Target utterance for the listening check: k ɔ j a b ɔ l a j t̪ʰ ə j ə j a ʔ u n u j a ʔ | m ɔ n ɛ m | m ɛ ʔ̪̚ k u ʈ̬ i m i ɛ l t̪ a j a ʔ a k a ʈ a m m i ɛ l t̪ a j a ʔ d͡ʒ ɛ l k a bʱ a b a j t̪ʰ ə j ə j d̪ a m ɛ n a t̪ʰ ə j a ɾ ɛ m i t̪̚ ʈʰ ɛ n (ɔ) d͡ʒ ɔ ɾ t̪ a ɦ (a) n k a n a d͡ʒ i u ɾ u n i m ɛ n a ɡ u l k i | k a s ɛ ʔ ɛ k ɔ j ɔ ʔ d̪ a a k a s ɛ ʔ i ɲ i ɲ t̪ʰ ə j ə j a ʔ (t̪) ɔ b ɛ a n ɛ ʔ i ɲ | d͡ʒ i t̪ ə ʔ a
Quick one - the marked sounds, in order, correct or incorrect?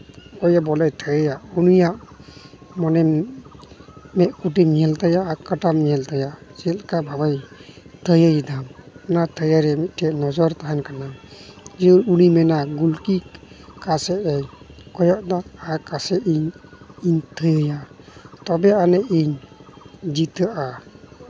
correct, correct, correct

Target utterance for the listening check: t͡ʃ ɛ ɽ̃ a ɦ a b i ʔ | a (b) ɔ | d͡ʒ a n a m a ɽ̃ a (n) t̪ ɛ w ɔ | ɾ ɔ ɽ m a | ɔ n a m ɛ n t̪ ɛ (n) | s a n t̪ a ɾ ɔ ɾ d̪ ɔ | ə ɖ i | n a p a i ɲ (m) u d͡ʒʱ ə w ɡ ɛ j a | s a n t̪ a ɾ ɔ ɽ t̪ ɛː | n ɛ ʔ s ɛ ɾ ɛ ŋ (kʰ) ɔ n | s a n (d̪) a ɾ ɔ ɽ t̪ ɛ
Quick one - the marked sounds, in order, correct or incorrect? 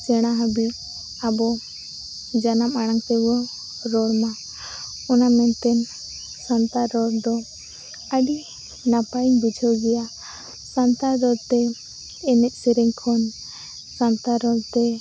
correct, incorrect, correct, incorrect, correct, incorrect

